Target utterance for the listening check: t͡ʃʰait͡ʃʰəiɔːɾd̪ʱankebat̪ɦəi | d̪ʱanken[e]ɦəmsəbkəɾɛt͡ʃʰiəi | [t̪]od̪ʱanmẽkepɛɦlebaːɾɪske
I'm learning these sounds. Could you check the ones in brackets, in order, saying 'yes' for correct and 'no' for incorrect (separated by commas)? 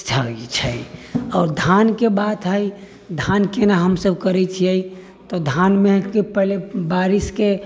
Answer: no, yes